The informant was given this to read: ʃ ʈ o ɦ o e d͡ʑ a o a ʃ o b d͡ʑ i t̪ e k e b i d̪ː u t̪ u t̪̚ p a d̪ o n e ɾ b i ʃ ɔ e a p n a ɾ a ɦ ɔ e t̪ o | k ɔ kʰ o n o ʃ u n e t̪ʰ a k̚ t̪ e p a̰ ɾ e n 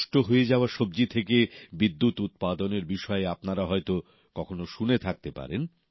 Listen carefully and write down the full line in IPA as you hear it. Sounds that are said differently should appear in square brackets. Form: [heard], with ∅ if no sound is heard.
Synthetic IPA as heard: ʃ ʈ o ɦ o e d͡ʑ a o a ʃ o b d͡ʑ i [t̪ʰ] e k e b i d̪ː u t̪ u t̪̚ p a d̪ o n e ɾ b i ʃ ɔ e a p n a ɾ a ɦ ɔ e t̪ o | k ɔ kʰ o n o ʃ u n e t̪ʰ a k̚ t̪ e p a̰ ɾ e n